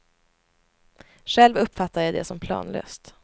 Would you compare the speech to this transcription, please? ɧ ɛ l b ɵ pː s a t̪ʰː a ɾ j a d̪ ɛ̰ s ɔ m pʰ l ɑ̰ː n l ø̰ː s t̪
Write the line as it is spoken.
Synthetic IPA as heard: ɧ ɛ l v ɵ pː f a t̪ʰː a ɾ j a d̪ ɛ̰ s ɔ m pʰ l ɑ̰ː n l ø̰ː s t̪